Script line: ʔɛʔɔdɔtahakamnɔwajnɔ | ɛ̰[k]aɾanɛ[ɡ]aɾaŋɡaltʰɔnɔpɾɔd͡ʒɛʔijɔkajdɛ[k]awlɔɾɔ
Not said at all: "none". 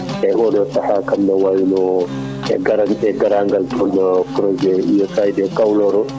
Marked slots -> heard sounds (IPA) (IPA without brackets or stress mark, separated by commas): ɡ, ɡ, k